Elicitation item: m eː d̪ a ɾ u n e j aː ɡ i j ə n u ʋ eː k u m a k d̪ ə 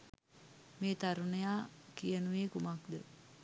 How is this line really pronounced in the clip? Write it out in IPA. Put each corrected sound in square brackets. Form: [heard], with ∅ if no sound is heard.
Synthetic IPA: m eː [t̪] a ɾ u n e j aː [k] i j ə n u ʋ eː k u m a k d̪ ə